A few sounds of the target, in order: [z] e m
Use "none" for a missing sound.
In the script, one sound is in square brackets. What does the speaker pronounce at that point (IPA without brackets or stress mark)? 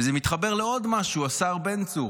z